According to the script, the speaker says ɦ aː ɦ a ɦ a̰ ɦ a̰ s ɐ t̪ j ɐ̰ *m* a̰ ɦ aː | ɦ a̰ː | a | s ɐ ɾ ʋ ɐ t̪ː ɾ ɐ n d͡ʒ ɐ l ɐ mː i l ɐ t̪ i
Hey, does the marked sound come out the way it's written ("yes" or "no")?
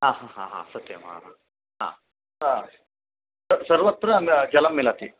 yes